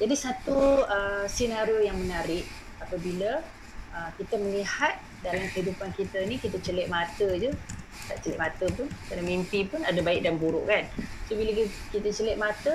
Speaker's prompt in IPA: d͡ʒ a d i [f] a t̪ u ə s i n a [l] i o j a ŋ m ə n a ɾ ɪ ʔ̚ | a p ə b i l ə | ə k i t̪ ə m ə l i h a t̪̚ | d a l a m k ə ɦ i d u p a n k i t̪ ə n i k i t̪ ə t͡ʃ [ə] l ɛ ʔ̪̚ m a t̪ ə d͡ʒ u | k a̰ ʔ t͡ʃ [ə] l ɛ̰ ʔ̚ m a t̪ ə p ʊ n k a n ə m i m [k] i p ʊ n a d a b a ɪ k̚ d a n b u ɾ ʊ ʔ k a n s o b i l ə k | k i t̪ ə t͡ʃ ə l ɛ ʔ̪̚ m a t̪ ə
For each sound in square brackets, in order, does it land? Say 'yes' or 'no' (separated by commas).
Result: no, no, yes, yes, no